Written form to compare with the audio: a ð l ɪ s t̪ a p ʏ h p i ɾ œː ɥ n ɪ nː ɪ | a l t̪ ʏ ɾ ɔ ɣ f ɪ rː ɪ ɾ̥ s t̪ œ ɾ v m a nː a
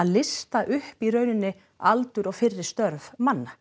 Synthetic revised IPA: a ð l ɪ s t̪ a ʔ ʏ h p i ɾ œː ɥ n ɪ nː ɪ | a l t̪ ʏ ɾ ɔ ɣ f ɪ rː ɪ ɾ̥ s t̪ œ ɾ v m a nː a